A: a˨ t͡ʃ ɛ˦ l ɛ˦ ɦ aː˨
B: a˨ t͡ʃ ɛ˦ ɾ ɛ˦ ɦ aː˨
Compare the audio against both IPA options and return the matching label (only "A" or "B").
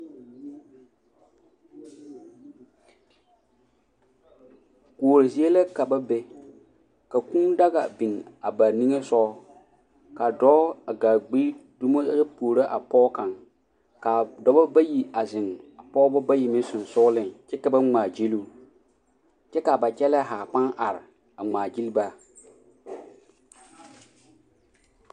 A